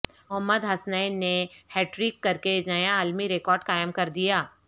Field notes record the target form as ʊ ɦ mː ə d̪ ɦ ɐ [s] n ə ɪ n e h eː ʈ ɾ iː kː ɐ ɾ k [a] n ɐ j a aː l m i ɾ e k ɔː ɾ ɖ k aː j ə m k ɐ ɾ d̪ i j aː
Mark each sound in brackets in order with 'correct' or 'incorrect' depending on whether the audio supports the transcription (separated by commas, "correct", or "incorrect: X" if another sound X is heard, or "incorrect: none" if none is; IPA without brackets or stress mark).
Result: correct, incorrect: e